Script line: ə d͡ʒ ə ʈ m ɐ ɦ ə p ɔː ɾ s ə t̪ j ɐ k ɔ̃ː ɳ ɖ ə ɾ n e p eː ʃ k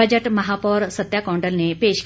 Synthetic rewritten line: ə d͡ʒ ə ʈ m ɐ ɦ a p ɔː ɾ s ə t̪ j a k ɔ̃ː ɳ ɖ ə l n e p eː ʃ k